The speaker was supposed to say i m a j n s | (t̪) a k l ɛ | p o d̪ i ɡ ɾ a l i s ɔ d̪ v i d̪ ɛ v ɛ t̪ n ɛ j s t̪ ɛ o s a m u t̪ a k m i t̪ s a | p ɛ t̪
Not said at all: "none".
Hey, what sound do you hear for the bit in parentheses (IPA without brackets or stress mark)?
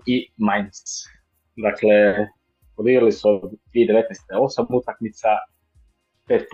d̪